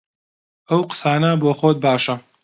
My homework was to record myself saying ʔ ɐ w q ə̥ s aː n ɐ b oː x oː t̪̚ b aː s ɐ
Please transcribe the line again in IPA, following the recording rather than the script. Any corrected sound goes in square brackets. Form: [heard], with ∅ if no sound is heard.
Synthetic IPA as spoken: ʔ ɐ w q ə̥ s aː n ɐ b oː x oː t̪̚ b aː [ʃ] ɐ